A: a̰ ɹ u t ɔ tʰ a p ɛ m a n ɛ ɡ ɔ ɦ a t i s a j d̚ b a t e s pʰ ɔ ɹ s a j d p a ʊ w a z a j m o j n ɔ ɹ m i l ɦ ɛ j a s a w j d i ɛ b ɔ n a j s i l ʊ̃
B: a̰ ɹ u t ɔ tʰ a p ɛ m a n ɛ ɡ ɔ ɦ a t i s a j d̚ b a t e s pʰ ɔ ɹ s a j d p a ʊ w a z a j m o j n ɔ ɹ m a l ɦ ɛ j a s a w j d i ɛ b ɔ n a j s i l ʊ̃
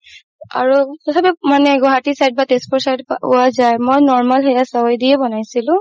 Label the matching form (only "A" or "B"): B